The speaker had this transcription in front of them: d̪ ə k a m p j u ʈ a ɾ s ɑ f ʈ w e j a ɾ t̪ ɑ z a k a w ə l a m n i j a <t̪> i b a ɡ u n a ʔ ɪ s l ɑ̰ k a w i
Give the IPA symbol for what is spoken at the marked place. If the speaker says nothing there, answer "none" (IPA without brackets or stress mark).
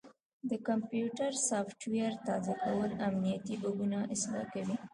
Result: t̪